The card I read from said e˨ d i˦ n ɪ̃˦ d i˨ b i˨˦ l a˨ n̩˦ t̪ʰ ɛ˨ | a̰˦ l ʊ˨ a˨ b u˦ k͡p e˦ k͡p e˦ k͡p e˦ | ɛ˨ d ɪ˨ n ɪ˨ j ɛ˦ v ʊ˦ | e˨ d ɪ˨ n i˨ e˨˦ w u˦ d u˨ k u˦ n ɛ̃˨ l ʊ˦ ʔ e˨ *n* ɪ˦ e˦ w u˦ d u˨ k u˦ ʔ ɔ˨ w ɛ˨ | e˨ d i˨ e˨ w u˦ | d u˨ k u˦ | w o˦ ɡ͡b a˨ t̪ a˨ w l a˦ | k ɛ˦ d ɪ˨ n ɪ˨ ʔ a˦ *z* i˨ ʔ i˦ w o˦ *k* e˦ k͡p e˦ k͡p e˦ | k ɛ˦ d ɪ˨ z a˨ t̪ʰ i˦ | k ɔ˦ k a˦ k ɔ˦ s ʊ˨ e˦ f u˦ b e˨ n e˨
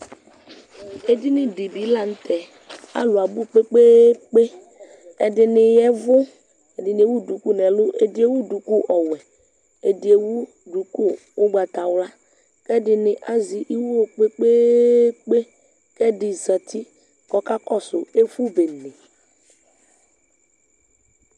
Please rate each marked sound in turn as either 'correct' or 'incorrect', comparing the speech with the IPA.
incorrect: d, correct, incorrect: k͡p

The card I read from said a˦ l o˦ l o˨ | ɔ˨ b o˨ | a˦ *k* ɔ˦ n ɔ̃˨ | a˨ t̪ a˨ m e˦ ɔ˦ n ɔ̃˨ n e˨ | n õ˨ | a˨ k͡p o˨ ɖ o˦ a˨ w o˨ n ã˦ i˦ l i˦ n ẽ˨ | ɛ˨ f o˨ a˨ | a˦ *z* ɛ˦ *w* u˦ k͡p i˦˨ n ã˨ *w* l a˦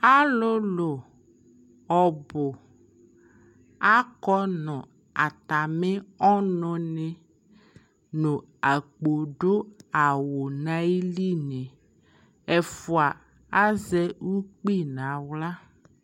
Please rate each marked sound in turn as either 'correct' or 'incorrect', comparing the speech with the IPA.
correct, correct, correct, correct

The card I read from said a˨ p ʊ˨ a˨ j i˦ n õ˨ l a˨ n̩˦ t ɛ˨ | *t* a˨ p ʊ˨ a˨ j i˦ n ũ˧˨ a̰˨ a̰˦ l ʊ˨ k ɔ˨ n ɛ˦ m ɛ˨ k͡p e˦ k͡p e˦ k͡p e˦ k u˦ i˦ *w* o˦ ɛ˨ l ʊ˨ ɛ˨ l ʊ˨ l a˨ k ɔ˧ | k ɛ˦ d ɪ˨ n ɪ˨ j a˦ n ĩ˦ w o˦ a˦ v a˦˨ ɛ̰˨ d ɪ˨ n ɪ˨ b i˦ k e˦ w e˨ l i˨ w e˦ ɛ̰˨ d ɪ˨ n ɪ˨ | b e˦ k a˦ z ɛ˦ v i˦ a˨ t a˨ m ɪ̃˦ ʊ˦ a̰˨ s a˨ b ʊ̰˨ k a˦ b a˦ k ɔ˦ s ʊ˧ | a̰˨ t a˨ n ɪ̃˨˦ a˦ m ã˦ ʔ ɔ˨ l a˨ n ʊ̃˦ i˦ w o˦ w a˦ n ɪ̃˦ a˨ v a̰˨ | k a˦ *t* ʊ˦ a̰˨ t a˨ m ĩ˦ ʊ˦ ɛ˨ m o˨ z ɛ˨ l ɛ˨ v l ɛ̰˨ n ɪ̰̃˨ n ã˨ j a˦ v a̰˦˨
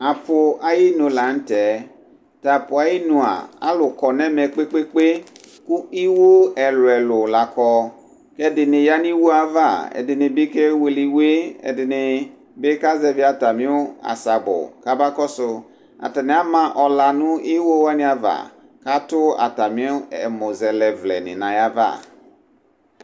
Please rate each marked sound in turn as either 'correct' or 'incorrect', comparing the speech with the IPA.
correct, correct, correct

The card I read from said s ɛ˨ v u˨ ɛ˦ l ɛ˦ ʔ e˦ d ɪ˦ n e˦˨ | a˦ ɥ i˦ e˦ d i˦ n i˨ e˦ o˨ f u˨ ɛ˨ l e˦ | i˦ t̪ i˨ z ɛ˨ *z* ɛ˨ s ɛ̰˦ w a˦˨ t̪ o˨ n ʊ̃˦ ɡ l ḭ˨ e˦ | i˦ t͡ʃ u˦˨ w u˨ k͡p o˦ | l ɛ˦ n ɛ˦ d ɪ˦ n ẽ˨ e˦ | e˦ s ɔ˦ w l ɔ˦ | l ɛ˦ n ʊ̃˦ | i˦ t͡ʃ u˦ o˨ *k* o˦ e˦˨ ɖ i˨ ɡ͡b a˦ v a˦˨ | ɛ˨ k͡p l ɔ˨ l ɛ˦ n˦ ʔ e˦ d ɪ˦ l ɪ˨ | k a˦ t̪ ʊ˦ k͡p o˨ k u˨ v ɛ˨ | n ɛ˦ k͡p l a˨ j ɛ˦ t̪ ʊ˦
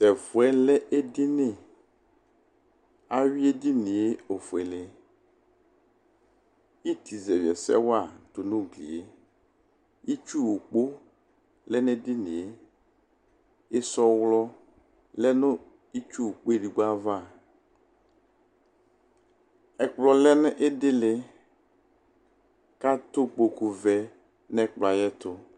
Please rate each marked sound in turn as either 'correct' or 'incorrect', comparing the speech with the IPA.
incorrect: v, incorrect: k͡p

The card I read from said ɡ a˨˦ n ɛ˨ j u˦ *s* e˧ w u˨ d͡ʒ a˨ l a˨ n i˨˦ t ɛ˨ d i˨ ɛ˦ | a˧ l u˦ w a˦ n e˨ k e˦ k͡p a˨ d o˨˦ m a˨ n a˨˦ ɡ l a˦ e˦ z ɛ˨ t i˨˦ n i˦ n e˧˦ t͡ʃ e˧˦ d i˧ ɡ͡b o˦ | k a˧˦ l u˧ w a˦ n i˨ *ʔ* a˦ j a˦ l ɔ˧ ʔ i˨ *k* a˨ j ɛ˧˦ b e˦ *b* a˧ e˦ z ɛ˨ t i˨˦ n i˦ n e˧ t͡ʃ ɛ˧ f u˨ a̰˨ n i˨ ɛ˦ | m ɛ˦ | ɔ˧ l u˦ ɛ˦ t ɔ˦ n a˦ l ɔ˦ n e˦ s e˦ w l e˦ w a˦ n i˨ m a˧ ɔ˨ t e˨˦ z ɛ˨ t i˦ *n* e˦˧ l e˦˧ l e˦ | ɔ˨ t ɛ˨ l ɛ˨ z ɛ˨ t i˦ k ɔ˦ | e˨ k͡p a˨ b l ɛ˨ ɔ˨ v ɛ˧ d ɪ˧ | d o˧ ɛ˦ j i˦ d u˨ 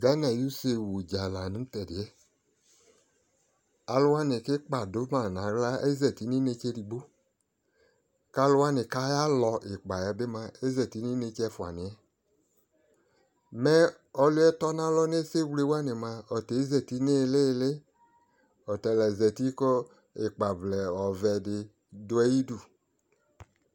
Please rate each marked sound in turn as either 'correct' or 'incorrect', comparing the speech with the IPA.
correct, incorrect: k, incorrect: k͡p, incorrect: m, correct

